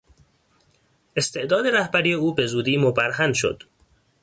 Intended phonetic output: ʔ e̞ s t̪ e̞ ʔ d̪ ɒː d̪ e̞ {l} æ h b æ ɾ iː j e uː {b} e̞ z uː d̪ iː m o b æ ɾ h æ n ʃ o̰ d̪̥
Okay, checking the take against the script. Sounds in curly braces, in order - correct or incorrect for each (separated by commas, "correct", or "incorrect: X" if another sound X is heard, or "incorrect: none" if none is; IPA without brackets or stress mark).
incorrect: ɾ, correct